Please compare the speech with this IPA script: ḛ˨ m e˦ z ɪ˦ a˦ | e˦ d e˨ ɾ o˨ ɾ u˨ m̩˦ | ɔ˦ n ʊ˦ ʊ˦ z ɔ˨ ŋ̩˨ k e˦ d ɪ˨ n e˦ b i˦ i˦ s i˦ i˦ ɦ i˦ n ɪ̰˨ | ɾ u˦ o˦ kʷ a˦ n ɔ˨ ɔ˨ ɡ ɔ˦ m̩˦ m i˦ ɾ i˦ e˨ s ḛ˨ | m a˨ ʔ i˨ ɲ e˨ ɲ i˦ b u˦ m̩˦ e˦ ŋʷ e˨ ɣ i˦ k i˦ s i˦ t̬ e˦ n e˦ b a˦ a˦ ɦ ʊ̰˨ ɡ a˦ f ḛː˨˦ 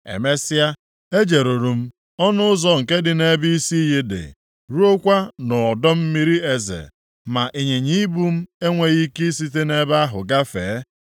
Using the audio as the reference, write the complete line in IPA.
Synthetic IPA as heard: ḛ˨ m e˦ s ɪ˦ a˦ | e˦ d͡ʒ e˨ ɾ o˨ ɾ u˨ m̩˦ | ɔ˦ n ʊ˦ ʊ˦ z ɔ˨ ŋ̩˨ k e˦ d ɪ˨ n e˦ b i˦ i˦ s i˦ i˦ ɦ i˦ d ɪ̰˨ | ɾ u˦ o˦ kʷ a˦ n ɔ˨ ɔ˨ d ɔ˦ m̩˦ m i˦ ɾ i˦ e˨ z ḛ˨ | m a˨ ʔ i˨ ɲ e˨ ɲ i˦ b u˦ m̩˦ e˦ ŋʷ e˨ ɣ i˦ k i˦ s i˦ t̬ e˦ n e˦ b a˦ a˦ ɦ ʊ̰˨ ɡ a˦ f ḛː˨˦